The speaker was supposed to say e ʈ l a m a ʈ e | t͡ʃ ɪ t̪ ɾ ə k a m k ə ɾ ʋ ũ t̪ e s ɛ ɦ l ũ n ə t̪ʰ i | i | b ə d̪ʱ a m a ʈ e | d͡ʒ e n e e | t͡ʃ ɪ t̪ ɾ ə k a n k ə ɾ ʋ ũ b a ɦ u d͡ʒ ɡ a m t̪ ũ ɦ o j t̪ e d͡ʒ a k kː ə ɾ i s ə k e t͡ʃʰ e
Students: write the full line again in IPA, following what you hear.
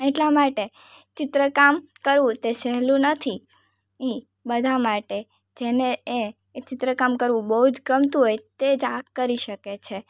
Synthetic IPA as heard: e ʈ l a m a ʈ e | t͡ʃ ɪ t̪ ɾ ə k a m k ə ɾ ʋ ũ t̪ e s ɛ ɦ l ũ n ə t̪ʰ i | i | b ə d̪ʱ a m a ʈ e | d͡ʒ e n e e | t͡ʃ ɪ t̪ ɾ ə k a m k ə ɾ ʋ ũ b ə ɦ u d͡ʒ ɡ ə m t̪ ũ ɦ o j t̪ e d͡ʒ a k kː ə ɾ i ʃ ə k e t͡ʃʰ e